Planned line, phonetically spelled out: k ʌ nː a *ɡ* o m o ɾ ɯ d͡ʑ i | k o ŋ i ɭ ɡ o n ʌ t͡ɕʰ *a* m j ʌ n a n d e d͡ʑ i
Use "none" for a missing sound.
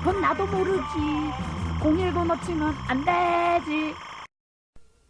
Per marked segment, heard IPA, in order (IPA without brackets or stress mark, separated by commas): d, i